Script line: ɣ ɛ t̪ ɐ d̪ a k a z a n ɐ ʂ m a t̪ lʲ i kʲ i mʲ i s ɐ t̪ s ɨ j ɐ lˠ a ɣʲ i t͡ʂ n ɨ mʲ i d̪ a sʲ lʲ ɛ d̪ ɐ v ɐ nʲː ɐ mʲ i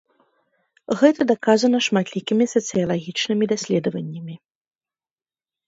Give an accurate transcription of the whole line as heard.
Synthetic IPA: ɣ ɛ t̪ ɐ d̪ a k a z ɐ n ɐ ʂ m a t̪ lʲ i kʲ i mʲ i s ɐ t̪ s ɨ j ɐ lˠ a ɣʲ i t͡ʂ n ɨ mʲ i d̪ a sʲ lʲ ɛ d̪ ɐ v ɐ nʲː ɐ mʲ i